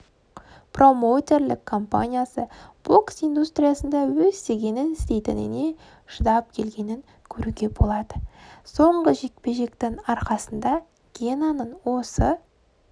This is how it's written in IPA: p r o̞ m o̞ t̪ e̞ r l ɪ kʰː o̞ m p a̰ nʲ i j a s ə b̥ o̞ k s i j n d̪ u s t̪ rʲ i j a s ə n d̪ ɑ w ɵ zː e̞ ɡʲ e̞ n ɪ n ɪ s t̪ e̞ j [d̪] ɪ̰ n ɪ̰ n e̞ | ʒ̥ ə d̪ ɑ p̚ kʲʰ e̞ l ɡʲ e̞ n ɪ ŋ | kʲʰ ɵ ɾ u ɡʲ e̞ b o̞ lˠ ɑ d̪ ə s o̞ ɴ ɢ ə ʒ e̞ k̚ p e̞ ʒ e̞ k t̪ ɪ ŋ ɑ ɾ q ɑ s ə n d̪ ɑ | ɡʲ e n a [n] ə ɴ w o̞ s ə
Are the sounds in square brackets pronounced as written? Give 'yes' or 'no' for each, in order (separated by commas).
no, yes